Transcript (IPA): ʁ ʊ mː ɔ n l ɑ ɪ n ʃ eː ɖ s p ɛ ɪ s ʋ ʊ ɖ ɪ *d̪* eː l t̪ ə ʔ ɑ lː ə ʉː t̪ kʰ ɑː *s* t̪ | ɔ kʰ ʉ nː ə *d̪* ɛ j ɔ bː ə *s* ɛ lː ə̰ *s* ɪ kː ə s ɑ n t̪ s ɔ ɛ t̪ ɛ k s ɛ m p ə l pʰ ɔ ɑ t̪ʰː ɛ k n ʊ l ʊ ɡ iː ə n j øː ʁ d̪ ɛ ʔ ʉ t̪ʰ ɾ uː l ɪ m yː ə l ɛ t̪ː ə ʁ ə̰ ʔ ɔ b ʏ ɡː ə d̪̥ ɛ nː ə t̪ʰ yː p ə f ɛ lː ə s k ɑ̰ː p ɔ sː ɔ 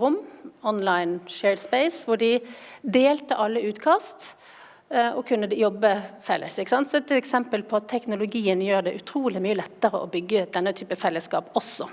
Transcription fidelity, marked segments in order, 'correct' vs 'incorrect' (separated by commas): correct, correct, correct, incorrect, correct